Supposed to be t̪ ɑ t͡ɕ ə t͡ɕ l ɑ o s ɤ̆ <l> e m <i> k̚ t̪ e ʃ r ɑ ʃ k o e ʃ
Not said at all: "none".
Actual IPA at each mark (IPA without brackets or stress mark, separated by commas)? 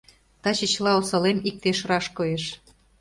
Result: l, i